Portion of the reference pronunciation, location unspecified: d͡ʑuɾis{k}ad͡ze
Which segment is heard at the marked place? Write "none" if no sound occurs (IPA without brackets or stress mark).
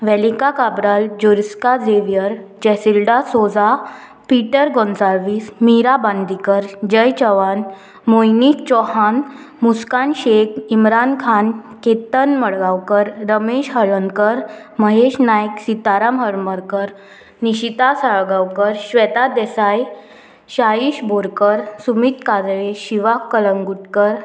k